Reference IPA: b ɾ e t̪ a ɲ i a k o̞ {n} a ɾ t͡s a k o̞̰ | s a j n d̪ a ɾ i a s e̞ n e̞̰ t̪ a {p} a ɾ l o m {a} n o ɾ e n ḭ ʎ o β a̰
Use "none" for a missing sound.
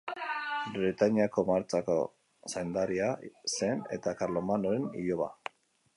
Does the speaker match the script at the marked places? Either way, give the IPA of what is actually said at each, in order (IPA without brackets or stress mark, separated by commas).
m, k, a